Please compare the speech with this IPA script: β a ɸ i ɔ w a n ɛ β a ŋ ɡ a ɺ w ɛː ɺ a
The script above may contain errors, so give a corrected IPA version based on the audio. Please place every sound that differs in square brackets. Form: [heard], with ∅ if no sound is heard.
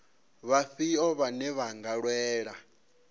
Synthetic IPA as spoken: β a ɸ i ɔ [β] a n ɛ β a ŋ ɡ a ɺ w ɛː ɺ a